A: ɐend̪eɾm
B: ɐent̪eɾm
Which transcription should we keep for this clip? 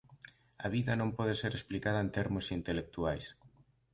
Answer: B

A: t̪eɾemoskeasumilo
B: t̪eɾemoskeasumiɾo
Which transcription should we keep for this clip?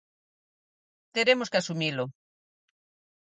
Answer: A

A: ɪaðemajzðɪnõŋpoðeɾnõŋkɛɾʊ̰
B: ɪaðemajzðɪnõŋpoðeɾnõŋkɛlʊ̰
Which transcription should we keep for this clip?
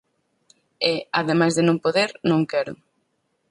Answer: A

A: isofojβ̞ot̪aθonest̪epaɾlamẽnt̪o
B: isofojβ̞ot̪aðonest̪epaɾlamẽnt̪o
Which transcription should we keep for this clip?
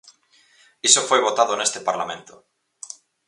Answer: B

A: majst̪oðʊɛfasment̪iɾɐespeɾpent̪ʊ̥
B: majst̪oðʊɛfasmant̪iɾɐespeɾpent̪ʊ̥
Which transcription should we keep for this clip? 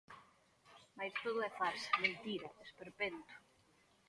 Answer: A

